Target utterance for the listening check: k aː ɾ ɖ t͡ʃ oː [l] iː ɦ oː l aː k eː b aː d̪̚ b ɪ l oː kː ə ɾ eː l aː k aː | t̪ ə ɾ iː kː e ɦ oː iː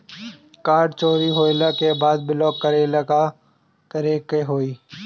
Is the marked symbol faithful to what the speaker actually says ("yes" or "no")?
no